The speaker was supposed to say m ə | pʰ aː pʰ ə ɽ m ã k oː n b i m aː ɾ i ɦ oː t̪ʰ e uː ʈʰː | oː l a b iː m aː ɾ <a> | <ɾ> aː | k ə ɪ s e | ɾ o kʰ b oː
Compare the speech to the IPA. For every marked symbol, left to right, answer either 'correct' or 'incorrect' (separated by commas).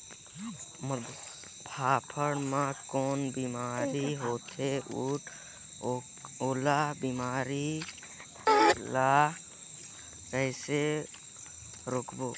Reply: incorrect, incorrect